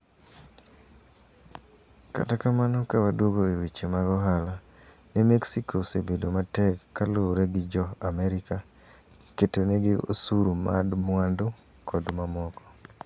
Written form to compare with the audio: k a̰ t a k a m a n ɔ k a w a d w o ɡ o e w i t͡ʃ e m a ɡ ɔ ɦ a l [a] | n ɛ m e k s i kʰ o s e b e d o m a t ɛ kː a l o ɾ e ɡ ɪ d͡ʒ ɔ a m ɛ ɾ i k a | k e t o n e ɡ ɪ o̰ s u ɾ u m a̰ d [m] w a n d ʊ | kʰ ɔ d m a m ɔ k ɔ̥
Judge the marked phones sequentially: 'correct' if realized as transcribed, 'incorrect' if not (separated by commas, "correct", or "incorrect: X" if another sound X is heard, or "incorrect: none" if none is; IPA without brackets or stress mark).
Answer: correct, correct